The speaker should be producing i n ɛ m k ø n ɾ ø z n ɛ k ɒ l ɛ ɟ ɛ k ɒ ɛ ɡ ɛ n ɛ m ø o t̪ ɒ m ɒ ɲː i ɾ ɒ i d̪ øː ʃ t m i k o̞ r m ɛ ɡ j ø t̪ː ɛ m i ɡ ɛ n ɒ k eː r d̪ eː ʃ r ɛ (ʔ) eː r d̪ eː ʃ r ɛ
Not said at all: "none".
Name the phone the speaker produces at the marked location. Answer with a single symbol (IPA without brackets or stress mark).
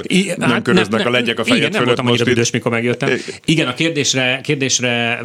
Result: k